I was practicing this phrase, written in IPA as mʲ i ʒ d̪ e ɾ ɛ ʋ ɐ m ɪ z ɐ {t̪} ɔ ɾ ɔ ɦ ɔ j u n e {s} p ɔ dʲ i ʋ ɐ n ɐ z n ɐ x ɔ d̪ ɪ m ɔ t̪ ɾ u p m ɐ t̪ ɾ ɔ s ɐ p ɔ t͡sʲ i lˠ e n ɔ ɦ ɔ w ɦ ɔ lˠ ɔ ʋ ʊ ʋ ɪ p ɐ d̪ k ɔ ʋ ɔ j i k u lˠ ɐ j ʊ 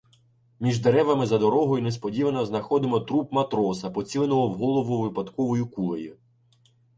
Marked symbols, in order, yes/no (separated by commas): no, yes